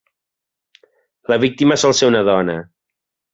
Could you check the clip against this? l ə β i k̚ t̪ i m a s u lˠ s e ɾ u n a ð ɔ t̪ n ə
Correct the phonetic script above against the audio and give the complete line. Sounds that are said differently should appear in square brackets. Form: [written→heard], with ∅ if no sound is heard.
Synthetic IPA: l ə β i k̚ t̪ i m [a→ə] s [u→ɔ] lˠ s e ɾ u n [a→ə] ð ɔ [t̪→∅] n ə